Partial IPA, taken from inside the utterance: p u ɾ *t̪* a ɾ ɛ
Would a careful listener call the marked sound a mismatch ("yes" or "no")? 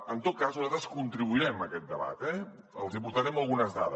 no